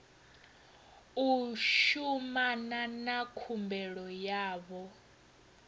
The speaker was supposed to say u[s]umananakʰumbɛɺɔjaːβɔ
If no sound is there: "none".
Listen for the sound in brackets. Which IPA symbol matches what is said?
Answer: ʃ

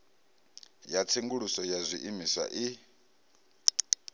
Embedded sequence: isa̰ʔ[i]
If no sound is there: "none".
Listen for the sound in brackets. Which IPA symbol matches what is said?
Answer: i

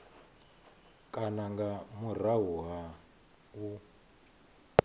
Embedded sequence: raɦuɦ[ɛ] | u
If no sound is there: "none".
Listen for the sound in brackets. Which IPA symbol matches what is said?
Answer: a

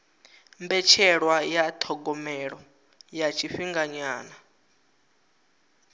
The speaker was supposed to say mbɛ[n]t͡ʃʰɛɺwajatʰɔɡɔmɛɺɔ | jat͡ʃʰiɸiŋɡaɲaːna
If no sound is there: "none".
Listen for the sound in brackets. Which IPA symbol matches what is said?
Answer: none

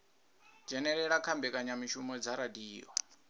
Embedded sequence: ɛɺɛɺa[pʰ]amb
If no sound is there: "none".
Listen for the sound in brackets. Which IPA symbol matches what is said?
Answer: kʰ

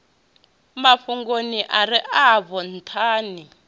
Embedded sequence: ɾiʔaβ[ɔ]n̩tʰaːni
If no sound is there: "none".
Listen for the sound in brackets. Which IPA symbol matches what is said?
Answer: ɔ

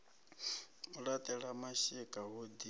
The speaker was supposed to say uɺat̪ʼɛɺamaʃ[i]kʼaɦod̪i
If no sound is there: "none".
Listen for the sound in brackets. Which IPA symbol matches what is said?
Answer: i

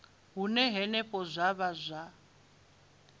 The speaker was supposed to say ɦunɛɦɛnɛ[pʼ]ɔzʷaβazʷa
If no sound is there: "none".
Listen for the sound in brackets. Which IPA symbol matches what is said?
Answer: pʼ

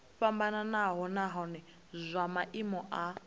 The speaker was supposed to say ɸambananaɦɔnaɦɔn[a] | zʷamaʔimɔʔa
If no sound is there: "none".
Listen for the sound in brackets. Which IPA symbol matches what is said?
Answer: ɛ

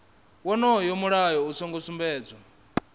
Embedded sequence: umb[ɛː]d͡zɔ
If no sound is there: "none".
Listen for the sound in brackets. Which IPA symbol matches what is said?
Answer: ɛː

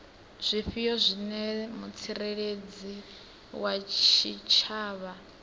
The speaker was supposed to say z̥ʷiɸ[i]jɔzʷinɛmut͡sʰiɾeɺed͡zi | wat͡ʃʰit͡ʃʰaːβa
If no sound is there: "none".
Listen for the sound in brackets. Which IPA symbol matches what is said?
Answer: i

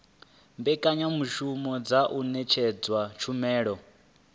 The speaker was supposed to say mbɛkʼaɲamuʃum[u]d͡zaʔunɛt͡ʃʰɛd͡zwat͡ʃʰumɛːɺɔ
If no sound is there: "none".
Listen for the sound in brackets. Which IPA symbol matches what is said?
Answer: ɔ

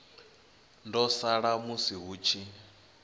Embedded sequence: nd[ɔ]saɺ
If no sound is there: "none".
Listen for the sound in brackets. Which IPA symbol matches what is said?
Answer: ɔ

